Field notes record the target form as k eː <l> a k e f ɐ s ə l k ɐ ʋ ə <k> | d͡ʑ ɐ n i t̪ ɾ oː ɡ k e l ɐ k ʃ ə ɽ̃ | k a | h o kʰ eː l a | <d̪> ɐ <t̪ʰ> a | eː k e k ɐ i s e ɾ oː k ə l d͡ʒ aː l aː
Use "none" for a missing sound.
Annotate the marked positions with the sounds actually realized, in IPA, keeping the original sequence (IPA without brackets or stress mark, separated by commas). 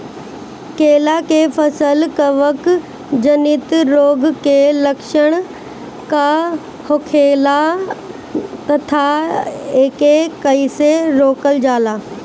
l, k, t̪, t̪ʰ